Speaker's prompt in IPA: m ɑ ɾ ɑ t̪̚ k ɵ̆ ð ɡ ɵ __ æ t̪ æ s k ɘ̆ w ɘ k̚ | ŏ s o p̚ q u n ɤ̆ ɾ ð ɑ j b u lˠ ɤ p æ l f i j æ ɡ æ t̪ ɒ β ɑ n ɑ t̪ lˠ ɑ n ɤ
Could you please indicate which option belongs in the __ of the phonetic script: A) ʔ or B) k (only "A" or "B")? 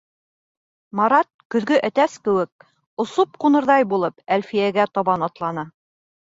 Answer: A